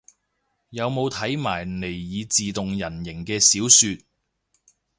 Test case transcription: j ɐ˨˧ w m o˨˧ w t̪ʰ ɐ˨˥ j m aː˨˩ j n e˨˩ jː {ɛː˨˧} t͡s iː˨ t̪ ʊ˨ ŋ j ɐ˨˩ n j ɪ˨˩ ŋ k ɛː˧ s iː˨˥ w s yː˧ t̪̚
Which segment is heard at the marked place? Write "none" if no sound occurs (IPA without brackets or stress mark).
iː˨˧